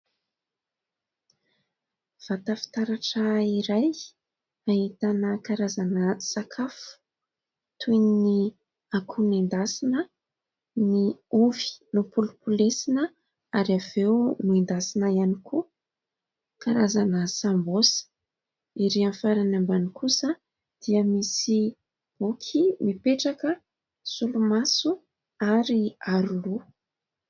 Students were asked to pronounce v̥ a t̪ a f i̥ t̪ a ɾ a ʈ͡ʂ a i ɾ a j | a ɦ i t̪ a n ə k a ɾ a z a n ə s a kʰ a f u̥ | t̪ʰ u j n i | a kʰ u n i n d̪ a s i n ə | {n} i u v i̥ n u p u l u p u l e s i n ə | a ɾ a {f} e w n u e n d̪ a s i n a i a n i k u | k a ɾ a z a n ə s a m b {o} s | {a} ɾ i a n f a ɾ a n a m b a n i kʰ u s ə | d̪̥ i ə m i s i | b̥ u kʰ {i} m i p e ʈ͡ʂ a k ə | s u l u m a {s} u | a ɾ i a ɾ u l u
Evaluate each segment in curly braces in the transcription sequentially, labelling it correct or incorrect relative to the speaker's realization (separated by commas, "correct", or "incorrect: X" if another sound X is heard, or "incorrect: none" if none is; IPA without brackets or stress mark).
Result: correct, incorrect: v, correct, incorrect: i, correct, correct